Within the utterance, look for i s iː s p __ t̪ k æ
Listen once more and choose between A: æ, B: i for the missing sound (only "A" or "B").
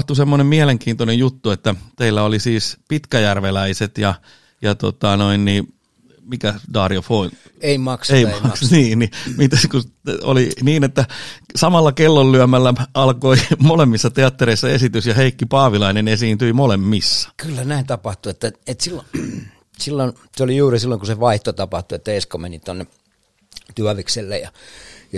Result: B